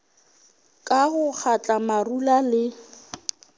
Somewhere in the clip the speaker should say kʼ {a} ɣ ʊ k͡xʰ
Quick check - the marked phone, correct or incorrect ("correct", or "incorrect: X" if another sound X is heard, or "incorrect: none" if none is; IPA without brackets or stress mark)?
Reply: correct